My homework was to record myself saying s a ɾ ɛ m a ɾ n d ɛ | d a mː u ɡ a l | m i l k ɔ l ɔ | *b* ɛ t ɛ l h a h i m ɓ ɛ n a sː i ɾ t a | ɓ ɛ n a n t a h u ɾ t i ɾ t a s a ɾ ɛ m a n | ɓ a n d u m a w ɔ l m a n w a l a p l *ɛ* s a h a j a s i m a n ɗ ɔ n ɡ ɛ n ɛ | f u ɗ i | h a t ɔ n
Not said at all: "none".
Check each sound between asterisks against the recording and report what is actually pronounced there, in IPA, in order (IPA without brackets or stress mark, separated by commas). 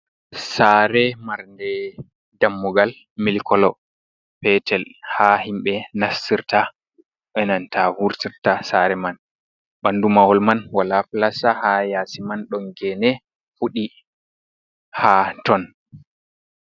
p, a